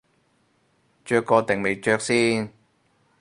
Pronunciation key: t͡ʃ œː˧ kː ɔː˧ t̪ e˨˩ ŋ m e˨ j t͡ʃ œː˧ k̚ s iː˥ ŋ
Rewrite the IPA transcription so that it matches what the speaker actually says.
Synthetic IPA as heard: t͡ʃ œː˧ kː ɔː˧ t̪ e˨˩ ŋ m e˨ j t͡ʃ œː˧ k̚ s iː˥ n

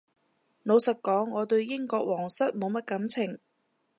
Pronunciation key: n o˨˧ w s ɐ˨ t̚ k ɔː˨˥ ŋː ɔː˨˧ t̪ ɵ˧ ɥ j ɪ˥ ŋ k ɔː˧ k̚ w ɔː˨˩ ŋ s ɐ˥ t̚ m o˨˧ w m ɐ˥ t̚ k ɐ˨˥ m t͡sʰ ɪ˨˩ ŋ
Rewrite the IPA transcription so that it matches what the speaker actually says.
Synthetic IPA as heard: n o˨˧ w s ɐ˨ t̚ k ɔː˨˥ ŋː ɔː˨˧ t̪ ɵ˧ ɥ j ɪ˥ ŋ k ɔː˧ k̚ w ɔː˨˩ ŋ s ɐ˥ t̚ m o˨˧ w m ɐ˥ t̚ k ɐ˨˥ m t͡sʰ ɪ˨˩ ŋ

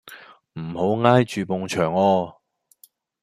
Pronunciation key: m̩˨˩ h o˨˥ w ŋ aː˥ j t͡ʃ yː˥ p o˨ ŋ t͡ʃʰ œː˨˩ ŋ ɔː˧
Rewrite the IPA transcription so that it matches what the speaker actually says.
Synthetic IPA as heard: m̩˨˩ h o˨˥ w ŋ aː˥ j t͡ʃ yː˨ p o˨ ŋ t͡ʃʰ œː˨˩ ŋ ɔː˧

